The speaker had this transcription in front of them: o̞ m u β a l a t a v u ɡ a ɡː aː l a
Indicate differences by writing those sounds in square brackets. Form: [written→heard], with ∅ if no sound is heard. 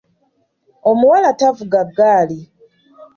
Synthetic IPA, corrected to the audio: o̞ m u [β→w] a l a t a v u ɡ a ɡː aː l [a→i]